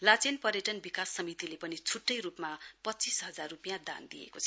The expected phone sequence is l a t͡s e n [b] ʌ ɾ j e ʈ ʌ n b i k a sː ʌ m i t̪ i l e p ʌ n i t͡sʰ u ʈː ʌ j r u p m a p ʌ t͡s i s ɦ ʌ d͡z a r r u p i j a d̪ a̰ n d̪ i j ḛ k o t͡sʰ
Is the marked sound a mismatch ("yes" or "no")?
yes